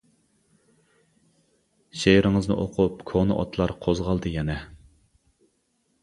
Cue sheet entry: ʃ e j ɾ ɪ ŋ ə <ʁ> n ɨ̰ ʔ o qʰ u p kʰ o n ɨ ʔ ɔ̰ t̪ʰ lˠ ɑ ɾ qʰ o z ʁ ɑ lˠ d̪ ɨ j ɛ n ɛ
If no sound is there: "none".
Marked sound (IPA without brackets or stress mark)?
z